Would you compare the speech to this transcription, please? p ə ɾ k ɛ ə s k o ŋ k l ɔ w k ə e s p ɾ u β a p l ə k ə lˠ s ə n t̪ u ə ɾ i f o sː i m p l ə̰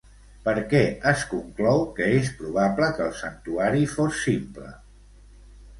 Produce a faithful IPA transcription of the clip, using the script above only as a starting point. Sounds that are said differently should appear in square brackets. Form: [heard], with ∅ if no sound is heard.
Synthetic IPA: p ə ɾ k ɛ ə s k [u] ŋ k l ɔ w k ə e s p ɾ u β a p l ə k ə lˠ s ə n t̪ u [a] ɾ i f o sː i m p l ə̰